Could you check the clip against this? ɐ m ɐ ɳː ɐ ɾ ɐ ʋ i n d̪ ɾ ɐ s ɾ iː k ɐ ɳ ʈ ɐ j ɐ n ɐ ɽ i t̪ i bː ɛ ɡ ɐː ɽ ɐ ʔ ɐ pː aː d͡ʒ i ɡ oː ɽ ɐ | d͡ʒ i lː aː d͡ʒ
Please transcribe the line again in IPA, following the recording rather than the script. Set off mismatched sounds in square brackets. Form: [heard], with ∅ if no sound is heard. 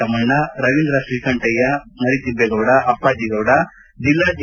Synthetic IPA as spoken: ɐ m ɐ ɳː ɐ ɾ ɐ ʋ i n d̪ ɾ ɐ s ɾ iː k ɐ ɳ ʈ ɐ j ɐ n ɐ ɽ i t̪ i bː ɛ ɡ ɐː ɽ ɐ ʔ ɐ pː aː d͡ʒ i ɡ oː ɽ ɐ | d͡ʒ i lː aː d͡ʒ